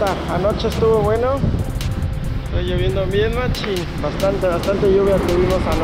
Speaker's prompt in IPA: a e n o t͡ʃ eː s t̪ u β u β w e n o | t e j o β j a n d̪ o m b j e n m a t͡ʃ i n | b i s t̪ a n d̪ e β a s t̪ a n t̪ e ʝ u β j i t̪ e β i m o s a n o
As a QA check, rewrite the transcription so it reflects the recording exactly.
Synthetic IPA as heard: a a n o t͡ʃ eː s t̪ u β o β w e n o | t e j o β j e n d̪ o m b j e n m a t͡ʃ i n | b a s t̪ a n t̪ e β a s t̪ a n t̪ e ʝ u β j a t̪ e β i m o s a n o